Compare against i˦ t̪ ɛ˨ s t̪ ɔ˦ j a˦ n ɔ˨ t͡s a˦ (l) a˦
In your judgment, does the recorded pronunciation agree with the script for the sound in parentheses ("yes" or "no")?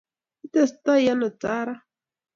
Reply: no